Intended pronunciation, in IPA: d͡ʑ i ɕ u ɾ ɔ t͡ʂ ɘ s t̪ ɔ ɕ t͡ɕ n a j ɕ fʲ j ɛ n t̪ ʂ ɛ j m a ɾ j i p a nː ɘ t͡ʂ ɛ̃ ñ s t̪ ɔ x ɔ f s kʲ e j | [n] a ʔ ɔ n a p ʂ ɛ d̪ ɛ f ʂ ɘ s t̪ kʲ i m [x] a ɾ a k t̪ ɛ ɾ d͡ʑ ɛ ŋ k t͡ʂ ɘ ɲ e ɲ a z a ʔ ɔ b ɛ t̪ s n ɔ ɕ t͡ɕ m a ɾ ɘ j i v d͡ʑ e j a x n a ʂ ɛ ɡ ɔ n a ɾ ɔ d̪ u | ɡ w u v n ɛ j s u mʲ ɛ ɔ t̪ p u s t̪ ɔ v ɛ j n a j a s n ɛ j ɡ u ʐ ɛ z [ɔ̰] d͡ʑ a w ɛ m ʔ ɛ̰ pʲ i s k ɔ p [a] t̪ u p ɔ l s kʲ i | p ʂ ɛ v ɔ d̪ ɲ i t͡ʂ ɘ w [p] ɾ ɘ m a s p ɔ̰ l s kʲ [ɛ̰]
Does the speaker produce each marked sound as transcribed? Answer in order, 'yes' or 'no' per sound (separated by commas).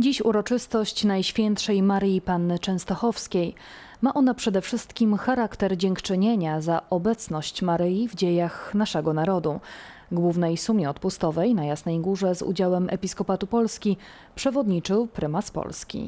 no, yes, no, yes, yes, no